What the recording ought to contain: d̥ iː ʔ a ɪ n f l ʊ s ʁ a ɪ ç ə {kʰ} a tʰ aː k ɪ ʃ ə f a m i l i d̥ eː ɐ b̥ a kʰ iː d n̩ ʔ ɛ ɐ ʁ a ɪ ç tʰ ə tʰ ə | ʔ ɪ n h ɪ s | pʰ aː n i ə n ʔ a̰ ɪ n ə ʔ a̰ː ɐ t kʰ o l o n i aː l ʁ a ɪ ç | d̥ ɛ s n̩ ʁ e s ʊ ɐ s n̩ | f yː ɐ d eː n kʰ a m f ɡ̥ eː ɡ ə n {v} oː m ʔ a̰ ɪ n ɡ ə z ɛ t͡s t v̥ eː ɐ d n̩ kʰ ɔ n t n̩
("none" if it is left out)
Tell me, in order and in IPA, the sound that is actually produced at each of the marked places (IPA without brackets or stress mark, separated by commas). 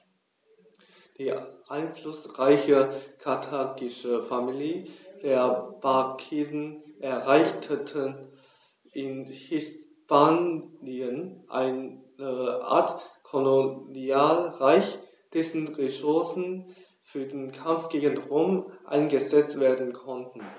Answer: kʰ, ʁ